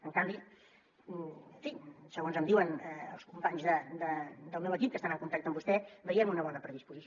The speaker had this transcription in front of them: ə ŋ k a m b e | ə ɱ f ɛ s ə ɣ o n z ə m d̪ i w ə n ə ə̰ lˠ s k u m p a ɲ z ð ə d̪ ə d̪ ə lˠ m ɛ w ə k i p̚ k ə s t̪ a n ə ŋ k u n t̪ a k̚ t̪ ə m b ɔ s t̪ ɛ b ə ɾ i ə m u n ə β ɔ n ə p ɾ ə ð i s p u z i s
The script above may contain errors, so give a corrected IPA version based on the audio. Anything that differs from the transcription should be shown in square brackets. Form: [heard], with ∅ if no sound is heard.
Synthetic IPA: ə ŋ k a m b [i] | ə ɱ f [i] s ə ɣ o n z ə m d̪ i w ə n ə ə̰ lˠ s k u m p a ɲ z ð ə d̪ ə d̪ ə lˠ m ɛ w ə k i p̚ k ə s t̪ a n ə ŋ k u n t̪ a k̚ t̪ ə m b [u] s t̪ ɛ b ə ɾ i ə m u n ə β ɔ n ə p ɾ ə ð i s p u z i s